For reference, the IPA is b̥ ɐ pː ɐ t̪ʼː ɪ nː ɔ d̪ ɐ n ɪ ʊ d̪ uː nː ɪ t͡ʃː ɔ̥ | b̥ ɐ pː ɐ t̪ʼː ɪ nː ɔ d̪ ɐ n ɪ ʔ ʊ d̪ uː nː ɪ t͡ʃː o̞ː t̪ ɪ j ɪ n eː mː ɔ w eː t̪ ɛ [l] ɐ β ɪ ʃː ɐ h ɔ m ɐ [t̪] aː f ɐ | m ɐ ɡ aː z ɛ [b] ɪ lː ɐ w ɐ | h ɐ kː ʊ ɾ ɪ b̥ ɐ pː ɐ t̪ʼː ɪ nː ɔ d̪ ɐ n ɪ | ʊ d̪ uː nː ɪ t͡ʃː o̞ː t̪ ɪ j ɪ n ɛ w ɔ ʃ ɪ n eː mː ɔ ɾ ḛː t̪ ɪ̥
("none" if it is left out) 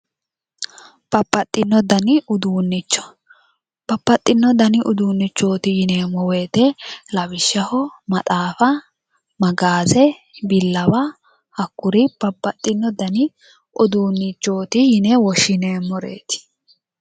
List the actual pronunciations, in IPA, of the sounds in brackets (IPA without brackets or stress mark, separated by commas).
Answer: l, t̪ʼ, b